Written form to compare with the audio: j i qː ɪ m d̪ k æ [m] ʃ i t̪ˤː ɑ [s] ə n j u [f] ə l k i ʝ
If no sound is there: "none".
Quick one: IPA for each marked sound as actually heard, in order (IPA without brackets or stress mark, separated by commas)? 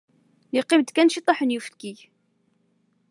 n, ħ, f